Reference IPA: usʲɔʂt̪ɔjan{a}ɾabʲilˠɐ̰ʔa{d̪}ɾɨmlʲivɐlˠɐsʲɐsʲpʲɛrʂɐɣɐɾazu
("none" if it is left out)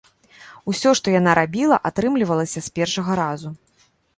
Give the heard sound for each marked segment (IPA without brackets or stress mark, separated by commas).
a, t̪